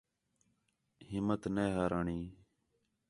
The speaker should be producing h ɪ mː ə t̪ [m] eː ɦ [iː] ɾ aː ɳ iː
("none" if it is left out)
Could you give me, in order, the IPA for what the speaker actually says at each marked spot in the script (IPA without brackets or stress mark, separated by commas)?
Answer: n, aː